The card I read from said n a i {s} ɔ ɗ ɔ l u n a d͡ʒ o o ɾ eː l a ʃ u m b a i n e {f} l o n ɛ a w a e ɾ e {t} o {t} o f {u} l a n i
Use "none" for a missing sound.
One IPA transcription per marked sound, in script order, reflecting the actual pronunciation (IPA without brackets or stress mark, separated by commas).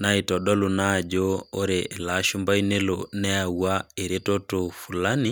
t, none, t, t, u